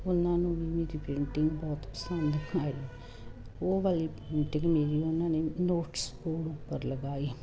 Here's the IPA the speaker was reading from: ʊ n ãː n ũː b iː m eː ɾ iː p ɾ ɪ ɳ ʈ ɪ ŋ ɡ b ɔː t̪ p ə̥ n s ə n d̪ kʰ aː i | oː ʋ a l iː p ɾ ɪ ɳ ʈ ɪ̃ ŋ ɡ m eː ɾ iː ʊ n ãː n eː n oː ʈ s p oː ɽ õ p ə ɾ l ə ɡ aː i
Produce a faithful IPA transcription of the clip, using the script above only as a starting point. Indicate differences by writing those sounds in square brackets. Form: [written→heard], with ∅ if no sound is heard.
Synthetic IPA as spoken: ʊ n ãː n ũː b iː m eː ɾ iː p ɾ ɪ ɳ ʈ ɪ ŋ ɡ b ɔː t̪ p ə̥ [n→∅] s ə n d̪ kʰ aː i | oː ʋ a l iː p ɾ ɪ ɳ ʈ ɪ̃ ŋ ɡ m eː ɾ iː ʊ n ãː n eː n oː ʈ s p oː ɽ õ p ə ɾ l ə ɡ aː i

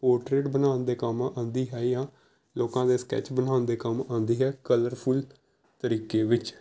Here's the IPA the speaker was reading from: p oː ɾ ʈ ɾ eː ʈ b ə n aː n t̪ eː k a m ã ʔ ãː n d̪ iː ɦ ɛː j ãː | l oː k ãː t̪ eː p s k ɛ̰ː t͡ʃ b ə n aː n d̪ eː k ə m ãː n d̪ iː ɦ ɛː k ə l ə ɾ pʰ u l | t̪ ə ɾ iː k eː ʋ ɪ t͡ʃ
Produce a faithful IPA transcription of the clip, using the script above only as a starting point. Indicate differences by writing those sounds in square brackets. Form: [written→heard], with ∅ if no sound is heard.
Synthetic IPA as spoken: p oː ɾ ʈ ɾ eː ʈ b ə n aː n [t̪→d̪] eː k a m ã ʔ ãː n d̪ iː ɦ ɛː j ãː | l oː k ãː [t̪→d̪] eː [p→∅] s k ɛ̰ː t͡ʃ b ə n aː n d̪ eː k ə m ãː n d̪ iː ɦ ɛː k ə l ə ɾ pʰ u l | t̪ ə ɾ iː k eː ʋ ɪ t͡ʃ

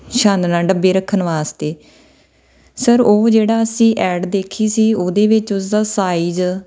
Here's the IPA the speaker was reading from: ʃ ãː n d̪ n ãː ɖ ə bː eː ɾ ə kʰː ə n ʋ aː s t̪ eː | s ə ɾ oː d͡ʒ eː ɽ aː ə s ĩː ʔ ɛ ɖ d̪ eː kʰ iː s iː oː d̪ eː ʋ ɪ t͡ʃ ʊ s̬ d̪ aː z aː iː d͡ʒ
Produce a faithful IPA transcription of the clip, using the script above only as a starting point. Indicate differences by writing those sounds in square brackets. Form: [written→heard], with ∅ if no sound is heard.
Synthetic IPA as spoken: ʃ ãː n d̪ n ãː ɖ ə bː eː ɾ ə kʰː ə n ʋ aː s t̪ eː | s ə ɾ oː d͡ʒ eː ɽ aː ə s ĩː ʔ [ɛ→ɛː] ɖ d̪ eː kʰ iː s iː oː d̪ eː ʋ ɪ t͡ʃ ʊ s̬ d̪ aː [z→s] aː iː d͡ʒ

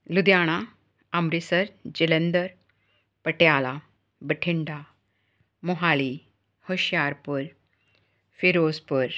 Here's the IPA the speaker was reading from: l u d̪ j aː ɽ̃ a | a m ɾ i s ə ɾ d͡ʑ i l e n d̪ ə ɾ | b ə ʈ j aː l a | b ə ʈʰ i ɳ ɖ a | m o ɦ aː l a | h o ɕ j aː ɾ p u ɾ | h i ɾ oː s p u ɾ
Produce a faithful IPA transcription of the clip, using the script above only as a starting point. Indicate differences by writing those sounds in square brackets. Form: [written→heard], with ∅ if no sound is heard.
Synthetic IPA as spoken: l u d̪ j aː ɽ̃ a | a m ɾ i s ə ɾ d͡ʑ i l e n d̪ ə ɾ | [b→p] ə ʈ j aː l a | b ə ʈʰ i ɳ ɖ a | m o ɦ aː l [a→i] | h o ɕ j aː ɾ p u ɾ | [h→f] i ɾ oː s p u ɾ

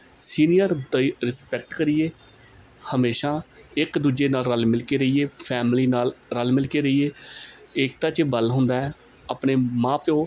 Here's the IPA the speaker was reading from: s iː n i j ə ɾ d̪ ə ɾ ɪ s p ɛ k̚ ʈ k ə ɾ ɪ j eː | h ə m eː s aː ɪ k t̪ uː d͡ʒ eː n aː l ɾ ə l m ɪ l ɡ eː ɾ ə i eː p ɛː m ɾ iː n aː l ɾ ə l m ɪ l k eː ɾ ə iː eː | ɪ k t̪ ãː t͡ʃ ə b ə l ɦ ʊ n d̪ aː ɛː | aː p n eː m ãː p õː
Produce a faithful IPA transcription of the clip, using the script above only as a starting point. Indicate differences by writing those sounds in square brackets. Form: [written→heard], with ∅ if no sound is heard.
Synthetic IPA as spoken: s iː n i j ə ɾ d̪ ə ɾ ɪ s p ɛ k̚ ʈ k ə ɾ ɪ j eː | h ə m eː [s→ʃ] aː ɪ k [t̪→d̪] uː d͡ʒ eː n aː l ɾ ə l m ɪ l [ɡ→k] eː ɾ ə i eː [p→pʰ] ɛː m [ɾ→l] iː n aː l ɾ ə l m ɪ l k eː ɾ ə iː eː | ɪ k t̪ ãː t͡ʃ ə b ə l ɦ ʊ n d̪ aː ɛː | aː p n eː m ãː p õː

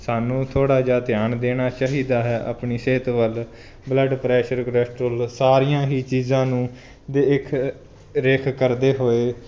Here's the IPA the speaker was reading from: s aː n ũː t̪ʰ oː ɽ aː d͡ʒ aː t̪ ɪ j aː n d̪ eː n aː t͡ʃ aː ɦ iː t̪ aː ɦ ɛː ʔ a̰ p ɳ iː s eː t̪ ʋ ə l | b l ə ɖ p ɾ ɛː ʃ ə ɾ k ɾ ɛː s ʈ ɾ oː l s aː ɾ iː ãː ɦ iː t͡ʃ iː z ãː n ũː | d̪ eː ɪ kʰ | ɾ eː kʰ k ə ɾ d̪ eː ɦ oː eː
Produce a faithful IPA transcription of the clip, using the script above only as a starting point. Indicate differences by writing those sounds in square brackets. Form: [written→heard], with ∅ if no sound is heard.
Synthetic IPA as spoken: s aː n ũː t̪ʰ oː ɽ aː d͡ʒ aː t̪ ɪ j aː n d̪ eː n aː t͡ʃ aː ɦ iː [t̪→d̪] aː ɦ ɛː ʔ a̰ p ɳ iː s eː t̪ ʋ ə l | b l ə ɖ p ɾ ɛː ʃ ə ɾ k ɾ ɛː s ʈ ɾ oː l s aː ɾ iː ãː ɦ iː t͡ʃ iː z ãː n ũː | d̪ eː ɪ kʰ | ɾ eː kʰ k ə ɾ d̪ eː ɦ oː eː

